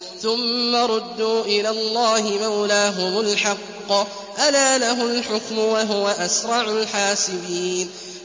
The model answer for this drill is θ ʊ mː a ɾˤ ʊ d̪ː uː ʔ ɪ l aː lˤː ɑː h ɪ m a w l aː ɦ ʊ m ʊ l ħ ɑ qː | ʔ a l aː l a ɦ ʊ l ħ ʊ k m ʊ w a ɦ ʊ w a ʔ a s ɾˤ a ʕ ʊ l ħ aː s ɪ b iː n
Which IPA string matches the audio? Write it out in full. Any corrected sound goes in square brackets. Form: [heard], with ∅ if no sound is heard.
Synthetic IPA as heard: θ ʊ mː a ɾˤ ʊ d̪ː uː ʔ ɪ l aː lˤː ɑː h ɪ m a w l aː ɦ ʊ m ʊ l ħ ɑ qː | ʔ a l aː l a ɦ ʊ l ħ ʊ k m ʊ w a ɦ ʊ w a ʔ a s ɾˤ [ɑ] ʕ ʊ l ħ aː s ɪ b iː n